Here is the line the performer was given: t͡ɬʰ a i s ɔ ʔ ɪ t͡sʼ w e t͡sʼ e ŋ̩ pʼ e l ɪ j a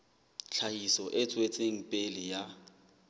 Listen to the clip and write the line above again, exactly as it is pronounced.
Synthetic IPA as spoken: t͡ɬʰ a i s ɔ ʔ ɪ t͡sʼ w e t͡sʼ e ŋ̩ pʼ e l ɪ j a